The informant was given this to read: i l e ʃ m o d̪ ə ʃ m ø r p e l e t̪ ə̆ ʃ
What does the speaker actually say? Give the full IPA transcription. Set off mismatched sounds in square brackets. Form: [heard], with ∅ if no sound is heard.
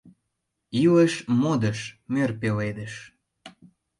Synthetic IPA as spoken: i l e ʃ m o d̪ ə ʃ m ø r p e l e [d̪] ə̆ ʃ